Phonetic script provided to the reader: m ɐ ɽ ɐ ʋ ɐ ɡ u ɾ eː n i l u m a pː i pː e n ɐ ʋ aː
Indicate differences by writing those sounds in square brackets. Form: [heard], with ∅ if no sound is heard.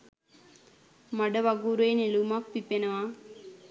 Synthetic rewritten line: m ɐ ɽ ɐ ʋ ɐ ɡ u ɾ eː n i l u m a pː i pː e n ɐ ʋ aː